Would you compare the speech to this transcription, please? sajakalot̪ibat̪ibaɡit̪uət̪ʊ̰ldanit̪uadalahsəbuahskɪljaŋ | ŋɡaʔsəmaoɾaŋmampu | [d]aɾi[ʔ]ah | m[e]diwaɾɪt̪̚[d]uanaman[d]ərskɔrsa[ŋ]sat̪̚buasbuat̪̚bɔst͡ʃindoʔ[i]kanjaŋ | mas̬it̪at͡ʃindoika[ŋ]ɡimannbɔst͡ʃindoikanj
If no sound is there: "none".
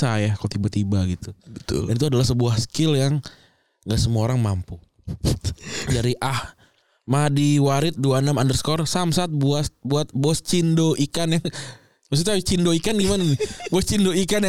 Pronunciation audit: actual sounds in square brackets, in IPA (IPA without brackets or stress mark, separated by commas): d, ʔ, a, d, d, m, i, n